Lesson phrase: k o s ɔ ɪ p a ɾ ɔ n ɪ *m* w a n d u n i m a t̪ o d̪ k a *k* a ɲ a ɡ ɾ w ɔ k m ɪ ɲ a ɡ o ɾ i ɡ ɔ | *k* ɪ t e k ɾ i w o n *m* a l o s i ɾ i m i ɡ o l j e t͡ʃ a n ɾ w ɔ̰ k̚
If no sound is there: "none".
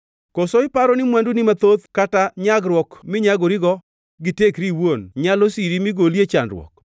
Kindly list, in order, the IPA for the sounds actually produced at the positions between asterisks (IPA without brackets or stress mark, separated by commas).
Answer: m, t, ɡ, ɲ